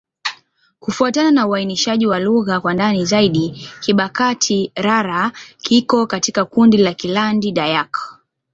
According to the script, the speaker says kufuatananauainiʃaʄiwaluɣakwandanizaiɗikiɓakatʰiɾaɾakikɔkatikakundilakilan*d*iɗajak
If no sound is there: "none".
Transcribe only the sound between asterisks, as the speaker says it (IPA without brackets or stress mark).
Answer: d